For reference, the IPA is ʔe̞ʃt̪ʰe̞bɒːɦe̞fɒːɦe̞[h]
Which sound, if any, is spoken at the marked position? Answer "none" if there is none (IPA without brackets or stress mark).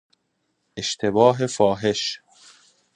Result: ʃ